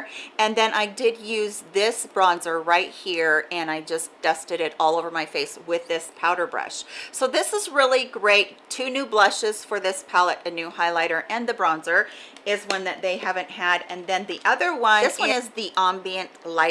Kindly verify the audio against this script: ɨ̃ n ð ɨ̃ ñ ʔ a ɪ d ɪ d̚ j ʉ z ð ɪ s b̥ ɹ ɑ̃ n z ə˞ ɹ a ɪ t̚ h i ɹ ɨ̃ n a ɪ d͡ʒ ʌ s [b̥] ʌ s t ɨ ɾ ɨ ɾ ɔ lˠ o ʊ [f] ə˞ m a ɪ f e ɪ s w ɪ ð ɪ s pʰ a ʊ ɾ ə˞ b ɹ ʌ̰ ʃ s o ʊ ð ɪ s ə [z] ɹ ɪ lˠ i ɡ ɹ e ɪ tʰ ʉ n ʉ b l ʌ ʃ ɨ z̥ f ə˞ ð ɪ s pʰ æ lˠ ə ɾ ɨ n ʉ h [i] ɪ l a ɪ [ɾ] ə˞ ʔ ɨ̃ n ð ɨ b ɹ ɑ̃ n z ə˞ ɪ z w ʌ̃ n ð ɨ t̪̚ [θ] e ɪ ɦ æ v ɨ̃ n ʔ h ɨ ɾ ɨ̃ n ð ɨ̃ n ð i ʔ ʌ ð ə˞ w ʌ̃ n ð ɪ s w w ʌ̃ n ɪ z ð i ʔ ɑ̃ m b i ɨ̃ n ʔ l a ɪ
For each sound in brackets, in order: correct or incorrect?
incorrect, incorrect, correct, incorrect, correct, incorrect

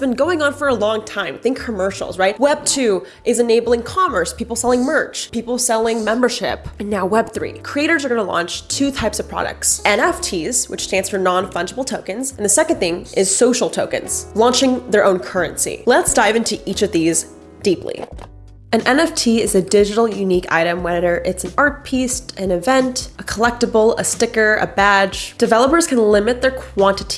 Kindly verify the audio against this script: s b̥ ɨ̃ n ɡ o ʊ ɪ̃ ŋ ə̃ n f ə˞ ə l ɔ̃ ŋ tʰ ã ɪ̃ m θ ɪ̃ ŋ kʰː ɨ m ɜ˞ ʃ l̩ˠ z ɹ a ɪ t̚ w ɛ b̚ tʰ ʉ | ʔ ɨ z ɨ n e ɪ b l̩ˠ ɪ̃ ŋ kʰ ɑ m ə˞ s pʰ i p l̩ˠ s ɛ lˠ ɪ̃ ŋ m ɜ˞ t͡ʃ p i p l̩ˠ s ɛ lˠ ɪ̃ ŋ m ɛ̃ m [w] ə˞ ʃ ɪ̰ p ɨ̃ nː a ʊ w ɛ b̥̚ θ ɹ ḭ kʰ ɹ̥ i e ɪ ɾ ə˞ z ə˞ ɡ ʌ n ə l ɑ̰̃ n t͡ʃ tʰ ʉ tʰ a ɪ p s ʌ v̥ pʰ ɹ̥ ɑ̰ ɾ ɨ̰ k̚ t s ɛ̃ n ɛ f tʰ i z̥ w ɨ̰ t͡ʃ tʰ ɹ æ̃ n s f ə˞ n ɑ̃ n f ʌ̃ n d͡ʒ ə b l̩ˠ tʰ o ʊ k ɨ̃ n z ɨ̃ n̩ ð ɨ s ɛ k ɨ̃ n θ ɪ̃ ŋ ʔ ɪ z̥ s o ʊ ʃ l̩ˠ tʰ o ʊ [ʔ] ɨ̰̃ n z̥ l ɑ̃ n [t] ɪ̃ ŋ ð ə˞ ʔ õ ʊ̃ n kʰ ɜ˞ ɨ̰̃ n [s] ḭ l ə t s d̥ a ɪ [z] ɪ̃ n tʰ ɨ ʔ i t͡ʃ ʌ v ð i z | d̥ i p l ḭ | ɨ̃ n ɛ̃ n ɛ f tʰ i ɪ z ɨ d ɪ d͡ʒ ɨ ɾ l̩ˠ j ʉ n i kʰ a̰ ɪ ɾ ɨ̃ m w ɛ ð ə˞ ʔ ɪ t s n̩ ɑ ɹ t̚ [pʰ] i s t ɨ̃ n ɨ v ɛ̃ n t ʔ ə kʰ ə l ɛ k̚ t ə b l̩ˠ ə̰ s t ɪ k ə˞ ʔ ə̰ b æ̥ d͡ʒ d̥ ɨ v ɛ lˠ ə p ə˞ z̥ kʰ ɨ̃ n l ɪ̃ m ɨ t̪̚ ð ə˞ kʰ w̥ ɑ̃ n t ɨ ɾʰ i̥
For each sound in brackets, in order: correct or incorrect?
incorrect, incorrect, incorrect, correct, incorrect, correct

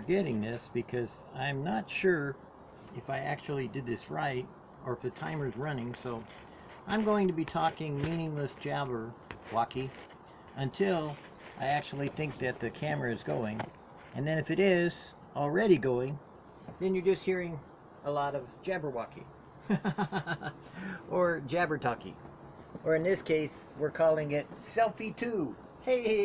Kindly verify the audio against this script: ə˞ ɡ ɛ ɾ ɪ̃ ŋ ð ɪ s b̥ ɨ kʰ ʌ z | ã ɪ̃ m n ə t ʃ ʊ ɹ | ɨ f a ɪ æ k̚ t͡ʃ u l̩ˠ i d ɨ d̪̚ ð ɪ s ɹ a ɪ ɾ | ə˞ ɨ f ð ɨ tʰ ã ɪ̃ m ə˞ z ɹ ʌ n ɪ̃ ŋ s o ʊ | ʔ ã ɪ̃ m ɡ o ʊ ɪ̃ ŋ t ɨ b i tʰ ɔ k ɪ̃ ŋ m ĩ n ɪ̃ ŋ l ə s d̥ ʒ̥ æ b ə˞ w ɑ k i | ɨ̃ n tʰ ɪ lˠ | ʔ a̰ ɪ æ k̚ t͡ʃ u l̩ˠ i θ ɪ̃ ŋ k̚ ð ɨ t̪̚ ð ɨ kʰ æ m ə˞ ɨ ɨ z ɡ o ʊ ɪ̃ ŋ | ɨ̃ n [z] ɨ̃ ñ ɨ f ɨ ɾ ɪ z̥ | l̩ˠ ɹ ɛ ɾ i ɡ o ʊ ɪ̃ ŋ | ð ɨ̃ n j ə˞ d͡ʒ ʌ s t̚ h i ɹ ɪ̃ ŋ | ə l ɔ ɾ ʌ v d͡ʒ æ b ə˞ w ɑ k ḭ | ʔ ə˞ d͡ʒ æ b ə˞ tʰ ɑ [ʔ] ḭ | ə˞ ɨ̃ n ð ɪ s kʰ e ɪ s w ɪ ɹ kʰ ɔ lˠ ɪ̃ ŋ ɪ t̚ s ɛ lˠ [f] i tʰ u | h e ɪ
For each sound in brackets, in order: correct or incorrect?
incorrect, incorrect, correct

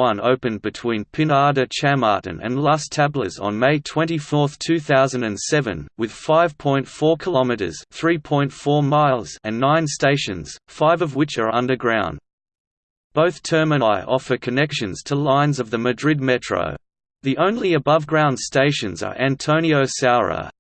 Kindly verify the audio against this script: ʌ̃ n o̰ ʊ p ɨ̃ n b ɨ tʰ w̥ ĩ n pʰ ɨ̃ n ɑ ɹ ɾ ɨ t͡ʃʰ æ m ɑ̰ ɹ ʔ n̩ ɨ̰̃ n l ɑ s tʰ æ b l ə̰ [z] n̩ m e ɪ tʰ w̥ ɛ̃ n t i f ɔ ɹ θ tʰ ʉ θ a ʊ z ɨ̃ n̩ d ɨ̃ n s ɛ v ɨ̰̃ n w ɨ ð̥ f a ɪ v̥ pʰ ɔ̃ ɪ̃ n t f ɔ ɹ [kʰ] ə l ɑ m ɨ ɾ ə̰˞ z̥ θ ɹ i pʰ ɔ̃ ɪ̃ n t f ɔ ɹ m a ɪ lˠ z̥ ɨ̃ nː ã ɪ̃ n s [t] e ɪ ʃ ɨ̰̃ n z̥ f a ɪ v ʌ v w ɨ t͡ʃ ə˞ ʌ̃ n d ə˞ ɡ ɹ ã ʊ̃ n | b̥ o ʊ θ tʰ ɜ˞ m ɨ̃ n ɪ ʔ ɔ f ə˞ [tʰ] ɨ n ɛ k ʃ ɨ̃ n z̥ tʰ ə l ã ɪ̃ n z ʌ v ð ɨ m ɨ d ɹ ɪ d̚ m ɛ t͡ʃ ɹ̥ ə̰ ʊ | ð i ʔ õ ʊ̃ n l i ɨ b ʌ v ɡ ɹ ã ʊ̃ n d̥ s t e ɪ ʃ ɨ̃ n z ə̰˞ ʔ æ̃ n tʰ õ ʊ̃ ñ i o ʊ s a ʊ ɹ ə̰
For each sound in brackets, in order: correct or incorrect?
correct, correct, correct, incorrect

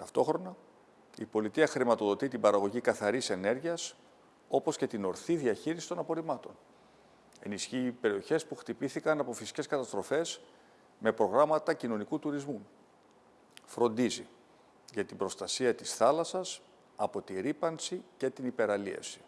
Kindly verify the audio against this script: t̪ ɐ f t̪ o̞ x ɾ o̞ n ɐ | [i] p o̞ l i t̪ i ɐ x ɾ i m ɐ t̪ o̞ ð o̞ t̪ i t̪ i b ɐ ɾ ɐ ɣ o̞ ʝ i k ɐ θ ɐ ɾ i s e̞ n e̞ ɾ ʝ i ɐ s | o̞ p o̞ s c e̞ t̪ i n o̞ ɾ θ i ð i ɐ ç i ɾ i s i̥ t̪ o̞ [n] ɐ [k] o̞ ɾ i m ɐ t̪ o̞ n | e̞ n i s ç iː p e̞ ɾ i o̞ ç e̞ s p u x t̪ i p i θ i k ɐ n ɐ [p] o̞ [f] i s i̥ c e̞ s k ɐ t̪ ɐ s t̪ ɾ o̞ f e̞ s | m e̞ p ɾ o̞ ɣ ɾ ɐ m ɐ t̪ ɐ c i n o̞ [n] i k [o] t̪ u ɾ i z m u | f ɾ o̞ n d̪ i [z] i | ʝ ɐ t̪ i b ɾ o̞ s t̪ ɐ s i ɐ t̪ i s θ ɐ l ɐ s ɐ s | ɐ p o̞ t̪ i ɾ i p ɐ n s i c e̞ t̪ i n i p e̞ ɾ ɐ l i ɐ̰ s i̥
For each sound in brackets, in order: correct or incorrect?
correct, correct, incorrect, correct, correct, correct, incorrect, correct

